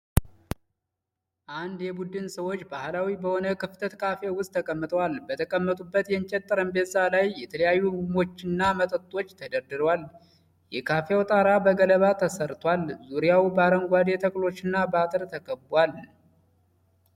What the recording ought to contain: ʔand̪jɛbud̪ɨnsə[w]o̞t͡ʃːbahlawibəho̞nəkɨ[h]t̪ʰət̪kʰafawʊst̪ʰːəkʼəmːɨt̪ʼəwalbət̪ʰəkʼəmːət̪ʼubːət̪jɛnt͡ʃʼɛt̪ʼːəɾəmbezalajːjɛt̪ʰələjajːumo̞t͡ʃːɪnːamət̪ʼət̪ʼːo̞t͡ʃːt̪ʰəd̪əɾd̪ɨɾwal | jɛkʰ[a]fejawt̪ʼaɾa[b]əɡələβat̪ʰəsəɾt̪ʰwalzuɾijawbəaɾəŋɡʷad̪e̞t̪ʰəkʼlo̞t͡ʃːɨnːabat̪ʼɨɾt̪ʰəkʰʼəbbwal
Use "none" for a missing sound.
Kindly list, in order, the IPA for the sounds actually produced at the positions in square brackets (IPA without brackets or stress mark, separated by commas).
w, f, a, b